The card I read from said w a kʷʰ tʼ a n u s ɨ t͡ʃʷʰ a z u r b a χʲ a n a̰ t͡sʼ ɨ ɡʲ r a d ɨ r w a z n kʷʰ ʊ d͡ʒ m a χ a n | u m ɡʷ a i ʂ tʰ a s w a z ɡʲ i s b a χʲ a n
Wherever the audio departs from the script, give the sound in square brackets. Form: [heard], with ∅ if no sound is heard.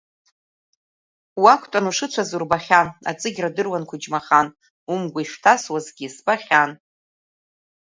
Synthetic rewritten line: w a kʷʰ tʼ a n u [ʂ] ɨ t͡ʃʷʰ a z u r b a χʲ a n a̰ t͡sʼ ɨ ɡʲ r a d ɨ r w a [∅] n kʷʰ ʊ d͡ʒ m a χ a n | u m ɡʷ a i ʂ tʰ a s w a z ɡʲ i s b a χʲ a n